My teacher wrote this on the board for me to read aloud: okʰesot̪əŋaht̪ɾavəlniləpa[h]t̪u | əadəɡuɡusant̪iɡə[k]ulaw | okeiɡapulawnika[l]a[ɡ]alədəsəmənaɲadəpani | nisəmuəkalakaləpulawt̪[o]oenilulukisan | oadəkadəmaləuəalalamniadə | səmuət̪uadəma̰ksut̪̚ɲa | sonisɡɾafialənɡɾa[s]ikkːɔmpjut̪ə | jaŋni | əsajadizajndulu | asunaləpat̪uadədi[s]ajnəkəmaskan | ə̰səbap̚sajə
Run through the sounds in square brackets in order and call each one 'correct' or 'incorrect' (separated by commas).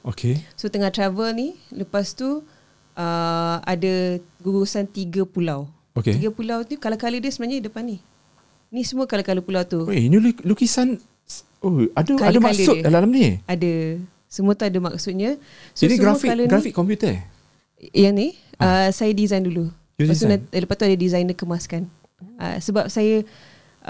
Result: incorrect, incorrect, correct, incorrect, incorrect, incorrect, incorrect